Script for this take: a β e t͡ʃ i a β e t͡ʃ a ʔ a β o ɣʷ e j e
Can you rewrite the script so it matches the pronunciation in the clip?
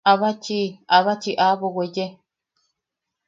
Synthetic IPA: a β a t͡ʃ i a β a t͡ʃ i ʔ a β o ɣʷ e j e